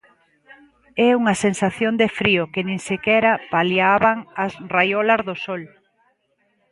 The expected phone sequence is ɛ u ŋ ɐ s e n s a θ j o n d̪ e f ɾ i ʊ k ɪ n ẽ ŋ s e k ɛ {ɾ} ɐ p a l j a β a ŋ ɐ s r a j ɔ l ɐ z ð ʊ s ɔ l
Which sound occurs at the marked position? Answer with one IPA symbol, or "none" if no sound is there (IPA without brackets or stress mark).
ɾ